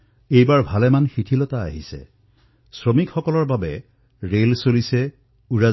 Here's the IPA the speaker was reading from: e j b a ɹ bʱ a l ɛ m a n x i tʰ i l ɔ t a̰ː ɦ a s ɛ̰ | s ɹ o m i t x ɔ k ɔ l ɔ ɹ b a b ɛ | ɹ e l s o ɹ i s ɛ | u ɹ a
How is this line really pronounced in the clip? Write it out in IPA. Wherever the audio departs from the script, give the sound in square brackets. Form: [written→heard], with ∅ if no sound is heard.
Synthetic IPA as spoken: e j b a ɹ bʱ a l ɛ m a n x i tʰ i l ɔ t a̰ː ɦ [a→i] s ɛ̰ | s ɹ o m i [t→k] x ɔ k ɔ l ɔ ɹ b a b ɛ | ɹ e l s o [ɹ→l] i s ɛ | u ɹ a